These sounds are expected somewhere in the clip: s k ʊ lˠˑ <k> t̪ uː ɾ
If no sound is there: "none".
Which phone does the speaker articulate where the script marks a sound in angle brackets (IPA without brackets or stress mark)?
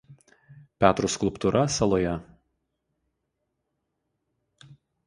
p